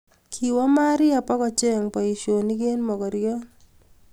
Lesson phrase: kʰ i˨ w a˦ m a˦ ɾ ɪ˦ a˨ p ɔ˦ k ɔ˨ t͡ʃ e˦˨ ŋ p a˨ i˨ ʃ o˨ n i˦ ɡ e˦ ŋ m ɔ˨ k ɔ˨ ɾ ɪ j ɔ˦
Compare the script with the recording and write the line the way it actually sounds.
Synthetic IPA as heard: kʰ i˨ w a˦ m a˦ ɾ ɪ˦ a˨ p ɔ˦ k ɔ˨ t͡ʃ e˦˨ ŋ p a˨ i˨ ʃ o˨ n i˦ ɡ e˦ n m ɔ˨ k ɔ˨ ɾ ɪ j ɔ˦